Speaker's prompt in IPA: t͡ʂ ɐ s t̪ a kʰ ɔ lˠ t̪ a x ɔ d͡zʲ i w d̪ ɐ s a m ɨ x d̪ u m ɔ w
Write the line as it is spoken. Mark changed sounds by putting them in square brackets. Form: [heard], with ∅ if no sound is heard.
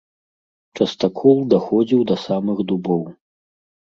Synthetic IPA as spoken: t͡ʂ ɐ s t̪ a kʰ ɔ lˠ [d̪] a x ɔ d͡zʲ i w d̪ ɐ s a m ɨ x d̪ u [b] ɔ w